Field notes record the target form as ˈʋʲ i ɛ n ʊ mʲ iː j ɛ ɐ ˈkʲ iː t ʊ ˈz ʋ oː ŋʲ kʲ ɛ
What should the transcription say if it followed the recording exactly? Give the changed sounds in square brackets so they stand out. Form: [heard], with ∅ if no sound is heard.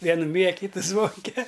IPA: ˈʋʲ i ɛ n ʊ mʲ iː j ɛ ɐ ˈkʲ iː t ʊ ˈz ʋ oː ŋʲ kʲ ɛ

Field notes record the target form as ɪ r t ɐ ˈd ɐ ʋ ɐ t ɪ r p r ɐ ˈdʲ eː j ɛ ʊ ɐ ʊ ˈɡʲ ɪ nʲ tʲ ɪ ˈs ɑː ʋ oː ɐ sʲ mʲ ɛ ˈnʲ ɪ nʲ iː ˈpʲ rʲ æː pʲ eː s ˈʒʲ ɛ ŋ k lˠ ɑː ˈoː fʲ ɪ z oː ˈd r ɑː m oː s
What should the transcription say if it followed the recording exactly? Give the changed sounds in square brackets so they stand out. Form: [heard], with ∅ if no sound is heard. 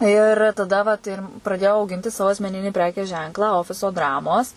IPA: ɪ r t ɐ ˈd ɐ ʋ ɐ t ɪ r p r ɐ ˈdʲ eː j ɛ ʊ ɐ ʊ ˈɡʲ ɪ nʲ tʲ ɪ ˈs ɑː ʋ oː ɐ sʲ mʲ ɛ ˈnʲ ɪ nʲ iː ˈpʲ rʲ æː [kʲ] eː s ˈʒʲ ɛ ŋ k lˠ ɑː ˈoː fʲ ɪ [s] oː ˈd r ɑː m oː s

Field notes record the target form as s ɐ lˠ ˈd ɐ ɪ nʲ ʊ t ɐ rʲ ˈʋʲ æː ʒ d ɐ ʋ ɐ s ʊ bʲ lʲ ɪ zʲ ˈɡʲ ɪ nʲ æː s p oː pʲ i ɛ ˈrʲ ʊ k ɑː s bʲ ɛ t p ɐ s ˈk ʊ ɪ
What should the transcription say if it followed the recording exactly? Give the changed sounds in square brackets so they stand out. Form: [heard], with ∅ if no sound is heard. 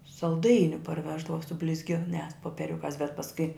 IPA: s ɐ lˠ ˈd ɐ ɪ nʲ ʊ [p] ɐ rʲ ˈʋʲ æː ʒ d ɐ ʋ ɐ s ʊ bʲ lʲ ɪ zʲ ˈɡʲ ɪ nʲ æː s p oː pʲ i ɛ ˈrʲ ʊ k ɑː s bʲ ɛ t p ɐ s ˈk ʊ ɪ

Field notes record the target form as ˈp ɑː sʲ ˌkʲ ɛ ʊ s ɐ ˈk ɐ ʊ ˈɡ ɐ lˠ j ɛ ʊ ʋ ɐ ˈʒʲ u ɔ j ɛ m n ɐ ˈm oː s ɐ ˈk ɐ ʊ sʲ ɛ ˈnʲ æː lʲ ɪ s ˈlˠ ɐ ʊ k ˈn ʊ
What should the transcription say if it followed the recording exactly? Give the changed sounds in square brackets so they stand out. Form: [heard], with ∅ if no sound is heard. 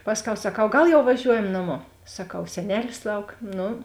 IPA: ˈp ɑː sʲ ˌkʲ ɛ ʊ s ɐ ˈk ɐ ʊ ˈɡ ɐ lˠ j ɛ ʊ ʋ ɐ ˈʒʲ u ɔ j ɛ m n ɐ ˈm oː s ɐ ˈk ɐ ʊ sʲ ɛ ˈnʲ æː lʲ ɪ s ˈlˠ ɐ ʊ k ˈn ʊ

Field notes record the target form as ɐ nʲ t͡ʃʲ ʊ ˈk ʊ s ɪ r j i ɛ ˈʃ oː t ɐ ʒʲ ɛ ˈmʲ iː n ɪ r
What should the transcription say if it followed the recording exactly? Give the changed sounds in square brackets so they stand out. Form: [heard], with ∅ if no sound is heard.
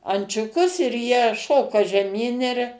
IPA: ɐ nʲ t͡ʃʲ ʊ ˈk ʊ s ɪ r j i ɛ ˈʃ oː [k] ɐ ʒʲ ɛ ˈmʲ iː n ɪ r

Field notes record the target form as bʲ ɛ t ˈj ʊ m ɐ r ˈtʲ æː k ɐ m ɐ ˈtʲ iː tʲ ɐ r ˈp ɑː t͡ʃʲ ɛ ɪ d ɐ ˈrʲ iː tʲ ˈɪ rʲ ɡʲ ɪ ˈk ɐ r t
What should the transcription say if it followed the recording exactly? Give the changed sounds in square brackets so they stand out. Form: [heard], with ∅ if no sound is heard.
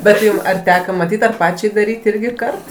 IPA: bʲ ɛ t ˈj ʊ m ɐ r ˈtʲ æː k ɐ m ɐ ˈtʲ iː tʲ ɐ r ˈp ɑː t͡ʃʲ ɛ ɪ d ɐ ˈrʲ iː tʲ ˈɪ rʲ ɡʲ ɪ ˈk ɐ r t

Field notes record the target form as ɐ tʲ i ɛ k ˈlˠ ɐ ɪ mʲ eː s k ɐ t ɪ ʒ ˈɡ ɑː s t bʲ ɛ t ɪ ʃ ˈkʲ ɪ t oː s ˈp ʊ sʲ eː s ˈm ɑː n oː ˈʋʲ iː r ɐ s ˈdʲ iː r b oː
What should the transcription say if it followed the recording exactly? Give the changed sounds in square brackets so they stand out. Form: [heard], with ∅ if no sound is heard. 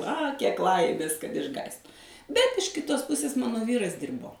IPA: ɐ [kʲ] i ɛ k ˈlˠ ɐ ɪ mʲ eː s k ɐ t ɪ ʒ ˈɡ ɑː s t bʲ ɛ t ɪ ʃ ˈkʲ ɪ t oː s ˈp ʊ sʲ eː s ˈm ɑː n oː ˈʋʲ iː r ɐ s ˈdʲ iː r b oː

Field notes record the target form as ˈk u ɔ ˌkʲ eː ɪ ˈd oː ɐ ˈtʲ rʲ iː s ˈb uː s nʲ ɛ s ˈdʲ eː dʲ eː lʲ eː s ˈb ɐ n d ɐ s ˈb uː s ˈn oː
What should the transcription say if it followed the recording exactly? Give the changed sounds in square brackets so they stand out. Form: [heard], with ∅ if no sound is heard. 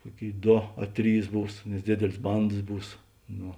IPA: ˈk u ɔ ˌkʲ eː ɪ ˈd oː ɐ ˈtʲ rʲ iː s ˈb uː s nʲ ɛ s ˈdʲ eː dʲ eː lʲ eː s ˈb ɐ n d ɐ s ˈb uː s ˈn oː

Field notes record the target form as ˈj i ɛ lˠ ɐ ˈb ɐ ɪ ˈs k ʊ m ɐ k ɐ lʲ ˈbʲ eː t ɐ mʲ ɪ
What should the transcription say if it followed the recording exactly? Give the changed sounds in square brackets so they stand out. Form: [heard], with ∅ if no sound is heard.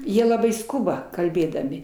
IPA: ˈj i ɛ lˠ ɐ ˈb ɐ ɪ ˈs k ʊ [b] ɐ k ɐ lʲ ˈbʲ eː [d] ɐ mʲ ɪ

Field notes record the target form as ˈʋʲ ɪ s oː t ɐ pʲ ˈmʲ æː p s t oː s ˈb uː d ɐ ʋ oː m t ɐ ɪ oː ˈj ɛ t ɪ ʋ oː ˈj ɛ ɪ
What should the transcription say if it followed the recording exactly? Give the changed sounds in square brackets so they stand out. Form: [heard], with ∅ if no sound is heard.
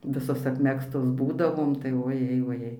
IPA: ˈʋʲ ɪ s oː [s] ɐ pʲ ˈmʲ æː [k] s t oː s ˈb uː d ɐ ʋ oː m t ɐ ɪ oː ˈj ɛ [∅] ɪ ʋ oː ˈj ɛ ɪ

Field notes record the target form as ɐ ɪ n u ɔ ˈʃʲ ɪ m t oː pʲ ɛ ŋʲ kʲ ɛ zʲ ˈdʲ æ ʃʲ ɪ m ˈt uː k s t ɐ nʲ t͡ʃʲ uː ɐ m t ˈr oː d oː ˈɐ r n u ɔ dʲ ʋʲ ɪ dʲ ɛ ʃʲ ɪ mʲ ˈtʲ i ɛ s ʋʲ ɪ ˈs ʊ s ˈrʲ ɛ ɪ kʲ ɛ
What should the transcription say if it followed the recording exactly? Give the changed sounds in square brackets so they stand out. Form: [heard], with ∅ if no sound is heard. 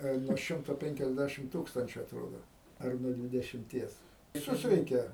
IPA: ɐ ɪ n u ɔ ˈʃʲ ɪ m t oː pʲ ɛ ŋʲ kʲ ɛ zʲ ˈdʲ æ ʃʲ ɪ m ˈt uː k s t ɐ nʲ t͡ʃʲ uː ɐ [∅] t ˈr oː d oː ˈɐ r n u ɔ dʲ ʋʲ ɪ dʲ ɛ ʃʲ ɪ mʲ ˈtʲ i ɛ s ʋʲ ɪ ˈs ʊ s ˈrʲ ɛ ɪ kʲ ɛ

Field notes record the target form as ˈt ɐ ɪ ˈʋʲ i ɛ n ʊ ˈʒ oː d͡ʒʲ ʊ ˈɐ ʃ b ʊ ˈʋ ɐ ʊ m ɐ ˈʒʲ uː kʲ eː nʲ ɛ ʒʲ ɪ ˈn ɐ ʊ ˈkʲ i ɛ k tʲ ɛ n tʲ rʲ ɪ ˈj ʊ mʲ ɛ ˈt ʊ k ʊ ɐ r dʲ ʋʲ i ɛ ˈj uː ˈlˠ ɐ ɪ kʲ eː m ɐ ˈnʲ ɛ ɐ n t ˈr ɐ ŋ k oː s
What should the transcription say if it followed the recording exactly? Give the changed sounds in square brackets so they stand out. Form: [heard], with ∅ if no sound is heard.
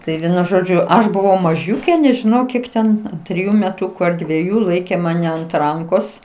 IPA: ˈt ɐ ɪ ˈʋʲ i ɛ n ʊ ˈʒ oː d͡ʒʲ ʊ ˈɐ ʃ b ʊ ˈʋ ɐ ʊ m ɐ ˈʒʲ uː kʲ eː nʲ ɛ ʒʲ ɪ ˈn ɐ ʊ ˈkʲ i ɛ k tʲ ɛ n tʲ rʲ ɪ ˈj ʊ mʲ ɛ ˈt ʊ k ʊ ɐ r dʲ ʋʲ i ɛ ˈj uː ˈlˠ ɐ ɪ kʲ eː m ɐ ˈnʲ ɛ ɐ n t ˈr ɐ ŋ k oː s

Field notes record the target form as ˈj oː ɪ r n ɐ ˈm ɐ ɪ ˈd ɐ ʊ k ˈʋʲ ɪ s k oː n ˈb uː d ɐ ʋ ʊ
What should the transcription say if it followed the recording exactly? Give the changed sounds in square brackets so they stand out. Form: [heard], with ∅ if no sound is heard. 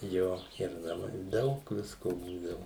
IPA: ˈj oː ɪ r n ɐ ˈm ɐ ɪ ˈd ɐ ʊ k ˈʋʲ ɪ s k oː [∅] ˈb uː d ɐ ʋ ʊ

